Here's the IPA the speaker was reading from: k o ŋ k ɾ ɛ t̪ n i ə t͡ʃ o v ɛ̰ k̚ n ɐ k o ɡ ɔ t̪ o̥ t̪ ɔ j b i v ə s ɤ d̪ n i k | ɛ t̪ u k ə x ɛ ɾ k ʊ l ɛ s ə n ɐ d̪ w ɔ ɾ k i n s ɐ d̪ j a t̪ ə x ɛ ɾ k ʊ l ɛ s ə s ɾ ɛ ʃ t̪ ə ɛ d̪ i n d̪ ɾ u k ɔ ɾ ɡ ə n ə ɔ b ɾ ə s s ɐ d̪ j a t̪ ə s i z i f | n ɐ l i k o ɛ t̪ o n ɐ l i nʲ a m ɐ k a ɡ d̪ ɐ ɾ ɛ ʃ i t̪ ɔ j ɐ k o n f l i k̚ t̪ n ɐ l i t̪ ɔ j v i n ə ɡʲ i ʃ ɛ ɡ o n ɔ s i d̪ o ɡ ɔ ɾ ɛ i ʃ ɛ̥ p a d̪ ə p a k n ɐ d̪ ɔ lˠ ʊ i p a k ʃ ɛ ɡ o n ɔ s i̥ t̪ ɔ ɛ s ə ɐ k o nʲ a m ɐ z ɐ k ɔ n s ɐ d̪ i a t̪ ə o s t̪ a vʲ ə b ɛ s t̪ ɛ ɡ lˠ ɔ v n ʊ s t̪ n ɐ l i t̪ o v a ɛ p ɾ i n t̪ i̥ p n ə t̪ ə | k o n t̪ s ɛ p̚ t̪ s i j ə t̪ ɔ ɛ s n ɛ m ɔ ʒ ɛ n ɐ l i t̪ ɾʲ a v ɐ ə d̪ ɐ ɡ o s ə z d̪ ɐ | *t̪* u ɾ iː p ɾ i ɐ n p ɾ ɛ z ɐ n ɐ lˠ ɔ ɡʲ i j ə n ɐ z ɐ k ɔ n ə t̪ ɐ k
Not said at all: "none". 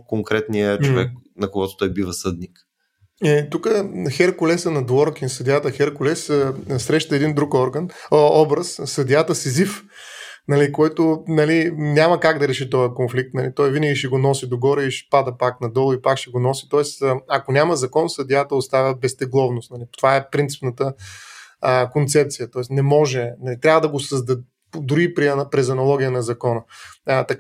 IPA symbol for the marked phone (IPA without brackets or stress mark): d̪